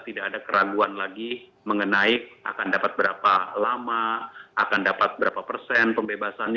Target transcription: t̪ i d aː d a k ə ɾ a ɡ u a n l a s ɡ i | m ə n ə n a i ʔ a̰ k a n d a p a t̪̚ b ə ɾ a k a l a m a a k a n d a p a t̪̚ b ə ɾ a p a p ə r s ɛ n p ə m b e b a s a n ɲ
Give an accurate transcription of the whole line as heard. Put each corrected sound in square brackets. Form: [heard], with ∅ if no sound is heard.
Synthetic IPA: t̪ i d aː d a k ə ɾ a ɡ u a n l a [∅] ɡ i | m ə [ŋ] ə n a i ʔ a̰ k a n d a p a t̪̚ b ə ɾ a [p] a l a m a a k a n d a p a t̪̚ b ə ɾ a p a p ə r s ɛ n p ə m b e b a s a n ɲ